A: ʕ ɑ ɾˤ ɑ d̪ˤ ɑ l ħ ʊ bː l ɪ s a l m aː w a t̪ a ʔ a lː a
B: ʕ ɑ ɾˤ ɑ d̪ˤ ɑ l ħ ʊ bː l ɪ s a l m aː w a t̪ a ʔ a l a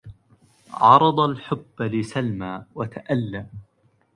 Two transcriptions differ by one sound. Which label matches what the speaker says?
A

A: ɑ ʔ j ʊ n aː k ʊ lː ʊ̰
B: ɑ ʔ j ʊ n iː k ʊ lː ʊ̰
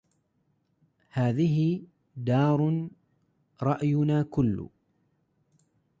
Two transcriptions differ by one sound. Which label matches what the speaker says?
A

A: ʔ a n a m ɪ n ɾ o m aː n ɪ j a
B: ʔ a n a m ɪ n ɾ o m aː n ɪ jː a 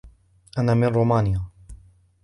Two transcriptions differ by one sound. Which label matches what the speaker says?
A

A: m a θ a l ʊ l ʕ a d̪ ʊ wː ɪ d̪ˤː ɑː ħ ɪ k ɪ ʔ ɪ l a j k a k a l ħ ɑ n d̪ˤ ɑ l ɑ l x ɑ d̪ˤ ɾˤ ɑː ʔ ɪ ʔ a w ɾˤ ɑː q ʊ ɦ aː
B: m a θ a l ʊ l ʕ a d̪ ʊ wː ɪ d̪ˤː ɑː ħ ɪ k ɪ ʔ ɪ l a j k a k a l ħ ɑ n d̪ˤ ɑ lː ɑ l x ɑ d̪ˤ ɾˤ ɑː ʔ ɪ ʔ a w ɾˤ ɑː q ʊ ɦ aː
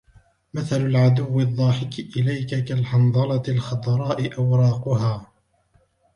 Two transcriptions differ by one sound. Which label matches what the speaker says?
A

